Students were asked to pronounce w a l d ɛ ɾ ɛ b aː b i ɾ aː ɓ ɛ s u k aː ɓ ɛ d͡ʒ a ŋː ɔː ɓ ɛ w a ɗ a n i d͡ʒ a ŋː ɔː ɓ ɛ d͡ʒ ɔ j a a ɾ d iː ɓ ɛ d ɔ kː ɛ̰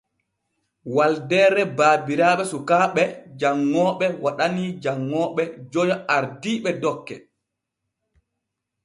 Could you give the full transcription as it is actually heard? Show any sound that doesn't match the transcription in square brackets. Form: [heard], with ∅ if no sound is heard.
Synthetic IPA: w a l d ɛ ɾ ɛ b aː b i ɾ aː ɓ ɛ s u k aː ɓ ɛ d͡ʒ a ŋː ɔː ɓ ɛ w a ɗ a n i d͡ʒ a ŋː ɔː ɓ ɛ d͡ʒ ɔ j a a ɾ d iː ɓ ɛ d ɔ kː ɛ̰

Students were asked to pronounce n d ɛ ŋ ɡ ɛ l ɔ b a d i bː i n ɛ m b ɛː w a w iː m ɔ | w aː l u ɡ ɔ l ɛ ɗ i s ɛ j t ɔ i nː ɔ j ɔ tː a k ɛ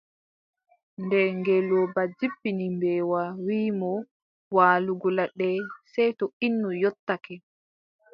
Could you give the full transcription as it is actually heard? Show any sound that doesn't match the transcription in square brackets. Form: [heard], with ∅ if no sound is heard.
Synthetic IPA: n d ɛ ŋ ɡ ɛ l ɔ b a [d͡ʒ] i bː i n [i] m b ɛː w a w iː m ɔ | w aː l u ɡ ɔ l [a] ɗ [ɛ] s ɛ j t ɔ i nː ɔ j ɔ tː a k ɛ

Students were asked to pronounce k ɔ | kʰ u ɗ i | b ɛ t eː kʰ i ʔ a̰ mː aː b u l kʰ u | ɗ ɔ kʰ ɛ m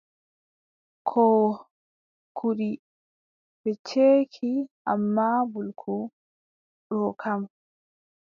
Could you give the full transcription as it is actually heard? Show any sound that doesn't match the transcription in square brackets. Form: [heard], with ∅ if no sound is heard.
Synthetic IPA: [kʰ] ɔ | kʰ u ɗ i | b ɛ [t͡ʃ] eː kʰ i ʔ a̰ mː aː b u l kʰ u | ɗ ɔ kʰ [a] m

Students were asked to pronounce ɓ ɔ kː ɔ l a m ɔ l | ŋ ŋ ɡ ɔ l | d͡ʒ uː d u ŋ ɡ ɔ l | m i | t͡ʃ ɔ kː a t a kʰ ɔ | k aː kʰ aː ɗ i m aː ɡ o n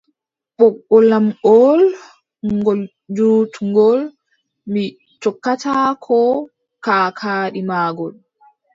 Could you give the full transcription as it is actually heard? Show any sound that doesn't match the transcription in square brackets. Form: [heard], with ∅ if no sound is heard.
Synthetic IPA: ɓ ɔ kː ɔ l a m ɔ l | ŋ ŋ ɡ ɔ l | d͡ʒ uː [t] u ŋ ɡ ɔ l | m i | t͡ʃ ɔ kː a t a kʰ ɔ | k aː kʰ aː ɗ i m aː ɡ [ɔ] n

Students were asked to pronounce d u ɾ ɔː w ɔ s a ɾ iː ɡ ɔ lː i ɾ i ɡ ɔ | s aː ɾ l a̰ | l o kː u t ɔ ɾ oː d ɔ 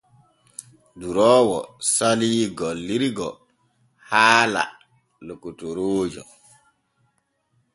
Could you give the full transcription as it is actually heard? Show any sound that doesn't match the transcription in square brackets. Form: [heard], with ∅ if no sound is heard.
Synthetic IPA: d u ɾ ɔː w ɔ s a [l] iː ɡ ɔ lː i ɾ i ɡ ɔ | [h] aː [∅] l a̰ | l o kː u t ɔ ɾ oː [d͡ʒ] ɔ

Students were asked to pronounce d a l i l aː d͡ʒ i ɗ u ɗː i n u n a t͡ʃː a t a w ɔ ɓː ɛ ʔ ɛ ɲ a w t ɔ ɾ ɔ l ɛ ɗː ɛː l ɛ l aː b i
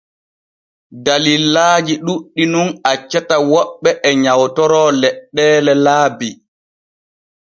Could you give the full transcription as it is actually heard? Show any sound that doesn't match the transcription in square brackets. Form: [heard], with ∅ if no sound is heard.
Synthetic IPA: d a l i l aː d͡ʒ i ɗ u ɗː i n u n a t͡ʃː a t a w ɔ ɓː ɛ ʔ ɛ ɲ a w t ɔ ɾ ɔ l ɛ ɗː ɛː l ɛ l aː b i

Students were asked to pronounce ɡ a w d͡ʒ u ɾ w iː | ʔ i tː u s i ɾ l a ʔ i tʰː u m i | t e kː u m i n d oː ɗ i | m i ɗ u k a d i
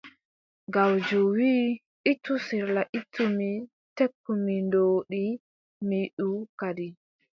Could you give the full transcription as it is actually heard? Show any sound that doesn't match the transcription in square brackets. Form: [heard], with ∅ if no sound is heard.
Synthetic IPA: ɡ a w d͡ʒ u [∅] w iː | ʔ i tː u s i ɾ l a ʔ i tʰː u m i | t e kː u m i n d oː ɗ i | m i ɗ u k a d i

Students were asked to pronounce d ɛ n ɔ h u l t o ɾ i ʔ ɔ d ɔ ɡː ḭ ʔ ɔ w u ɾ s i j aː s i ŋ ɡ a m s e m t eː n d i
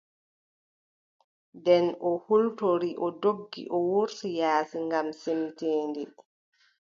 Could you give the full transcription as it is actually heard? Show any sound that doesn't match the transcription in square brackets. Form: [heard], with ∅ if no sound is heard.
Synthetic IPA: d ɛ n ɔ h u l t o ɾ i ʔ ɔ d [o] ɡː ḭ ʔ ɔ w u ɾ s i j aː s i ŋ ɡ a m s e m t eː n d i

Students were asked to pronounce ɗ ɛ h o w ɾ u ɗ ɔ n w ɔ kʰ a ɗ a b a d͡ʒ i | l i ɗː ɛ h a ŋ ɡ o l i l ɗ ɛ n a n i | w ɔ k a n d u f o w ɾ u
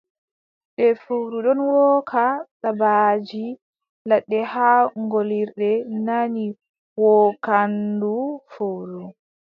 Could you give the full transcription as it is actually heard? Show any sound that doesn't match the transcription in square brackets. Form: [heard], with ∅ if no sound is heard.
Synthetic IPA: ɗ ɛ [f] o w ɾ u ɗ ɔ n w ɔ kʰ a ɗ a b a d͡ʒ i | l [a] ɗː ɛ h a ŋ ɡ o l i [ɾ] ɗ ɛ n a n i | w ɔ k a n d u f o w ɾ u

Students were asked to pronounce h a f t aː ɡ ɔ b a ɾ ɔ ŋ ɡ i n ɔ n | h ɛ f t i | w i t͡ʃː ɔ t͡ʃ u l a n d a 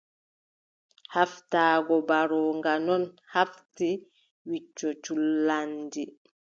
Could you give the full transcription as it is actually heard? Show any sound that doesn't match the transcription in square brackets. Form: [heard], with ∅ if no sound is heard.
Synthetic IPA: h a f t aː ɡ ɔ b a ɾ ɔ ŋ ɡ [a] n ɔ n | h [a] f t i | w i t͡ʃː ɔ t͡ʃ u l a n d [i]

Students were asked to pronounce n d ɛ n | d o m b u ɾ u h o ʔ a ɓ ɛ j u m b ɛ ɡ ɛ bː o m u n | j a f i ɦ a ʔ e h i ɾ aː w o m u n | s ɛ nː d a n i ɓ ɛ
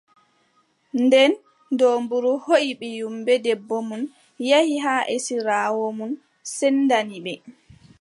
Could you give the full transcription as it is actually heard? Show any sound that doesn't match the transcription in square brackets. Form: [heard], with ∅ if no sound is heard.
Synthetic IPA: n d ɛ n | d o m b u ɾ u h o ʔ [i] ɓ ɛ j u m b ɛ [d] ɛ bː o m u n | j a [h] i ɦ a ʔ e [s] i ɾ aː w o m u n | s ɛ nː d a n i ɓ ɛ

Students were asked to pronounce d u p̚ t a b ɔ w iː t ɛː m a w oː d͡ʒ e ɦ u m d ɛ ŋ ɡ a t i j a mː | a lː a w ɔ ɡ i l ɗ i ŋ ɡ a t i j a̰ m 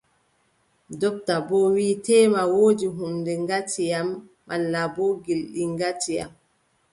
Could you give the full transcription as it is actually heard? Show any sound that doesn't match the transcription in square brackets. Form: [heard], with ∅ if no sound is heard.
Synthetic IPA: d [ɔ] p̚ t a b ɔ w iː t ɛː m a w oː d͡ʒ [i] ɦ u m d ɛ ŋ ɡ a t i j a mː | a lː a [b] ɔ ɡ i l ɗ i ŋ ɡ a t i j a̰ m

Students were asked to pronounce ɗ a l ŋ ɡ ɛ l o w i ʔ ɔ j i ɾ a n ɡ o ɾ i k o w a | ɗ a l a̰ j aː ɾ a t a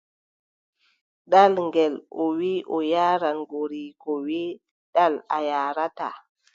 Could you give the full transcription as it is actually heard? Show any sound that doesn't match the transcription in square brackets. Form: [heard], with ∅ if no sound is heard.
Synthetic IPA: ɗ a l ŋ ɡ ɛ l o w i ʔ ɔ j [a] ɾ a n ɡ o ɾ i k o w [i] | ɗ a l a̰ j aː ɾ a t a

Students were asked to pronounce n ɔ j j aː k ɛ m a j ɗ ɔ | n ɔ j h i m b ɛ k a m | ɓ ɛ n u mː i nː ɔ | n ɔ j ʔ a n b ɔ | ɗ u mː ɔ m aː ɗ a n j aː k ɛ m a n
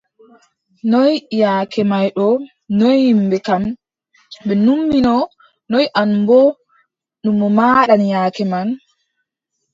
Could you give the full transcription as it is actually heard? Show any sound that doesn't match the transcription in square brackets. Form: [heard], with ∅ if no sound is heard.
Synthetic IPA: n ɔ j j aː k ɛ m a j ɗ ɔ | n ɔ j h i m b ɛ k a m | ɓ ɛ n u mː i [n] ɔ | n ɔ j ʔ a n b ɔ | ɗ u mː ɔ m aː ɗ a n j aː k ɛ m a n

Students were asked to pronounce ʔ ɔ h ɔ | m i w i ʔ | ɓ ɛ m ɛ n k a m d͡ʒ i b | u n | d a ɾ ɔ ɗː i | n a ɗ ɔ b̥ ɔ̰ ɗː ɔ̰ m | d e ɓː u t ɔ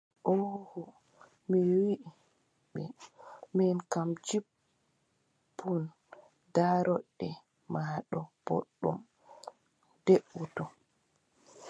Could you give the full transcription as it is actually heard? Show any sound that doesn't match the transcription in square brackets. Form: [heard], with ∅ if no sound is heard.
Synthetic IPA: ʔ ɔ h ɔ | m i w i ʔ | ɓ ɛ m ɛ n k a m d͡ʒ i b | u n | d a ɾ ɔ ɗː [ɛ] | [m] a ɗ ɔ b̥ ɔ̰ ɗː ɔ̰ m | d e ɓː u t ɔ

